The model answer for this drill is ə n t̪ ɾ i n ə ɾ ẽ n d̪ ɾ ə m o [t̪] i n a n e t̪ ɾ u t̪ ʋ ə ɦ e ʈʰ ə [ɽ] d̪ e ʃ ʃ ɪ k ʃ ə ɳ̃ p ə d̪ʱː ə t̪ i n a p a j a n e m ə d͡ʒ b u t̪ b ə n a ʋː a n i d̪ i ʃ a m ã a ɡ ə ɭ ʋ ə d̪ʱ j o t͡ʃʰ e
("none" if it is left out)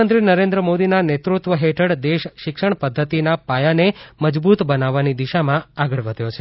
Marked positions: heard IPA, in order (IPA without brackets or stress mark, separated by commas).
d̪, ɽ